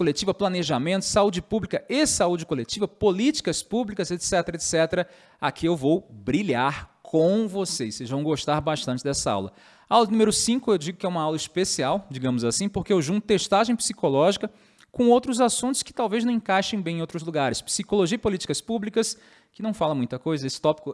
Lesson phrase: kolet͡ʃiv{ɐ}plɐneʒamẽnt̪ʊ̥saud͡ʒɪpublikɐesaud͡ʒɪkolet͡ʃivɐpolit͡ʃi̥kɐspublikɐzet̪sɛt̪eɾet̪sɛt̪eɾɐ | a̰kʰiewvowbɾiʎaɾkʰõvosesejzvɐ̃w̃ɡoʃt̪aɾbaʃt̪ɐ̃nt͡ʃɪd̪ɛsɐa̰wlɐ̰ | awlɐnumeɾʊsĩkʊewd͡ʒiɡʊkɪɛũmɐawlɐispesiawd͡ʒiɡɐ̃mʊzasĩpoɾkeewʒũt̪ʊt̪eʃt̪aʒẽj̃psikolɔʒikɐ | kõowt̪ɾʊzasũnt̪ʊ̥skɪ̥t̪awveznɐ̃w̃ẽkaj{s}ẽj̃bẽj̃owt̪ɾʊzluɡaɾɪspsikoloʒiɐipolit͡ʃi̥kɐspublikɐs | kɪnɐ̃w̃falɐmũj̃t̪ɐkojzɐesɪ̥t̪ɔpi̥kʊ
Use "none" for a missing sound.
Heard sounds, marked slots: ɐ, ʃ

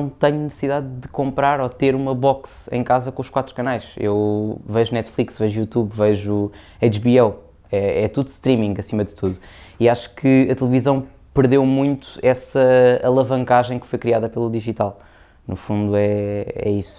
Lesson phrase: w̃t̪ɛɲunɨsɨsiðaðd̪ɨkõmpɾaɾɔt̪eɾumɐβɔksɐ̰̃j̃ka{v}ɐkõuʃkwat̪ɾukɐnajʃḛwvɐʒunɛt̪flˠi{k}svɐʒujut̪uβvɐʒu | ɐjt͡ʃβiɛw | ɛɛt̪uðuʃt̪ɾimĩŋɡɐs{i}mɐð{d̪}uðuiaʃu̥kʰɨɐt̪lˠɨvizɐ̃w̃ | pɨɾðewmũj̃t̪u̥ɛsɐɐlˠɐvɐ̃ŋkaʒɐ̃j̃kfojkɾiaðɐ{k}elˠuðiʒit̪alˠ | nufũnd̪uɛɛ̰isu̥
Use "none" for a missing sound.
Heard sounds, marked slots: z, k, i, t̪, p

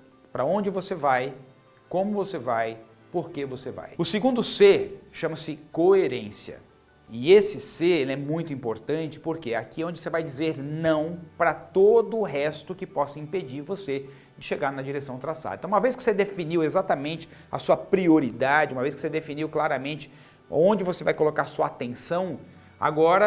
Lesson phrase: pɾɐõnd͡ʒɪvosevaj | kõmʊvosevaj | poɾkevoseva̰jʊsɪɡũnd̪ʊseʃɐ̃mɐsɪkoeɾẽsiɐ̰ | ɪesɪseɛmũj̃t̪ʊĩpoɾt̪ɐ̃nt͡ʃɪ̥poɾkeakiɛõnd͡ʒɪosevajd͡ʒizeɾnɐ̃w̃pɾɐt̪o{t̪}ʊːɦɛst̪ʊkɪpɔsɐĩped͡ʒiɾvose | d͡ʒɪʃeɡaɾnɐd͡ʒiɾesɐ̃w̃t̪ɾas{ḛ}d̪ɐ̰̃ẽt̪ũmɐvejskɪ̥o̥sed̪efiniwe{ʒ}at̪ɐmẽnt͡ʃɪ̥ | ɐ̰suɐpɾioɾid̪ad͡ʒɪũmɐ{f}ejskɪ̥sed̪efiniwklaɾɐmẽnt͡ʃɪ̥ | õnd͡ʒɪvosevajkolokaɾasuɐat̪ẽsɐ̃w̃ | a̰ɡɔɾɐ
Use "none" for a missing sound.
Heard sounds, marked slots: d̪, a̰, z, v

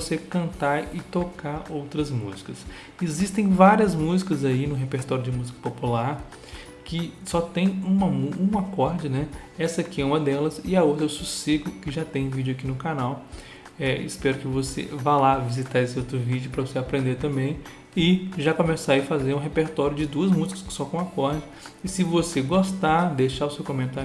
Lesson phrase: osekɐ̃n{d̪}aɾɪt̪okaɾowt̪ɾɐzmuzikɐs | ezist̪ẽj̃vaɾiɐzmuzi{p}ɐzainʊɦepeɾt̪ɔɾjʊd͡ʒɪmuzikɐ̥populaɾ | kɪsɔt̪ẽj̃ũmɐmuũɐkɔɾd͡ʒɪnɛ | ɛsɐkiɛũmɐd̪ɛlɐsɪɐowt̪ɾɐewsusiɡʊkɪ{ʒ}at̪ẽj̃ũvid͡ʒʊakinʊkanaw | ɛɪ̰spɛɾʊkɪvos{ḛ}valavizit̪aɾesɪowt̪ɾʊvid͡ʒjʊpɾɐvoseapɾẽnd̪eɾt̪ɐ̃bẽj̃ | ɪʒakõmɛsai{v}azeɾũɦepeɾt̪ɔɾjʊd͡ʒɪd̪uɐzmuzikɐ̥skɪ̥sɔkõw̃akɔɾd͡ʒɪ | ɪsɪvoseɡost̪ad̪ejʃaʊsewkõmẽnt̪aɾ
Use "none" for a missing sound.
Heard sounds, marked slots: t̪, k, ʒ, ḛ, f

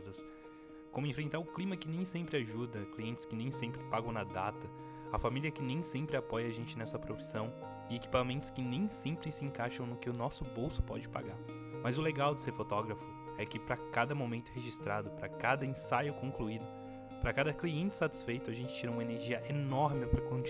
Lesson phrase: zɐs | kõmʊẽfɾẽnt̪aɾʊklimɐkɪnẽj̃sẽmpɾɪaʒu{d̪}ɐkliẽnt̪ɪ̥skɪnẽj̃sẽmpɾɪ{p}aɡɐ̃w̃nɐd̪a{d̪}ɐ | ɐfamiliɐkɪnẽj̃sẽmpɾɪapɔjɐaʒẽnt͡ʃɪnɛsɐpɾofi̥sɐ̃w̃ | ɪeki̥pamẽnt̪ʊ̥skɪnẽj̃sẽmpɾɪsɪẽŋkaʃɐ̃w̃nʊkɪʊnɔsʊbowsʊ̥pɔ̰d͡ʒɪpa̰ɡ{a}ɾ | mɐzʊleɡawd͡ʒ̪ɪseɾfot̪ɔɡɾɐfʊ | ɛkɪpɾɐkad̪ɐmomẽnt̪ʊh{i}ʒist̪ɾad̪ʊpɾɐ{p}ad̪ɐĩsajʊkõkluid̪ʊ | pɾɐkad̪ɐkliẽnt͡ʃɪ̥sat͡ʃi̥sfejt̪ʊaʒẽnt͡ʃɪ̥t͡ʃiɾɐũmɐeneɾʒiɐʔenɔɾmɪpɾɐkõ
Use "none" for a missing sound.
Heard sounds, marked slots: d̪, p, t̪, a, e, k

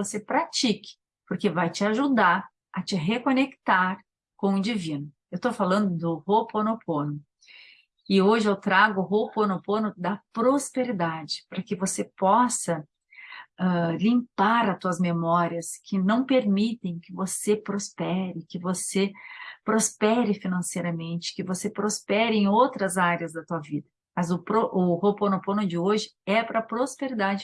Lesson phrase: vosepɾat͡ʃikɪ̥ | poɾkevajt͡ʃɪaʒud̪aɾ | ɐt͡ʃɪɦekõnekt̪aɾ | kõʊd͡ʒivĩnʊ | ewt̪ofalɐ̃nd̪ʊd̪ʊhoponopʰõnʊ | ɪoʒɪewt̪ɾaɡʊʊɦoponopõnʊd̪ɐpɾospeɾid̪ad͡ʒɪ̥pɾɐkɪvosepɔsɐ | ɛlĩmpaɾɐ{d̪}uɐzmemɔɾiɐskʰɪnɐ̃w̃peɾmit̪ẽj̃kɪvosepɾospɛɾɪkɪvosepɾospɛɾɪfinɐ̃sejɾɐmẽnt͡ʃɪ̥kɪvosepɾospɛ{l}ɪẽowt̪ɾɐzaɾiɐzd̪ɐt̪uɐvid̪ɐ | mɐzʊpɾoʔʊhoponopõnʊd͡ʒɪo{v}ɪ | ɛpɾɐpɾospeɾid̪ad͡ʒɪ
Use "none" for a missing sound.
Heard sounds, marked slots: t̪, ɾ, ʒ

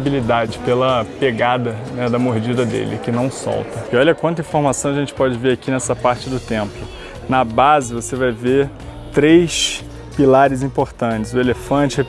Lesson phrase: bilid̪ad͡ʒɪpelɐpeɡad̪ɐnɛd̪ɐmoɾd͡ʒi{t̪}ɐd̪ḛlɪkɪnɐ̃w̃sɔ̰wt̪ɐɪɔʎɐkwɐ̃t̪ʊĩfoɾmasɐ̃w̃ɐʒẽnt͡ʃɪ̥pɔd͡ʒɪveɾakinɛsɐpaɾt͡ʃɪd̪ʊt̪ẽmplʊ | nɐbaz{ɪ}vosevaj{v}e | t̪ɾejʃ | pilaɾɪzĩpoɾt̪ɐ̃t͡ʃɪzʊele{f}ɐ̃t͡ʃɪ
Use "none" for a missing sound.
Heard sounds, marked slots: d̪, ɪ, v, f

